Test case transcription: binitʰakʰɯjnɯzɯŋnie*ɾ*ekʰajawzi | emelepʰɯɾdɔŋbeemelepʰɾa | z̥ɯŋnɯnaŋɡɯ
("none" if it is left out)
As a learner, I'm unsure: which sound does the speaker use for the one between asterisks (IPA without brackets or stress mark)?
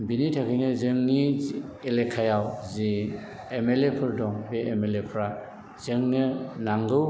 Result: l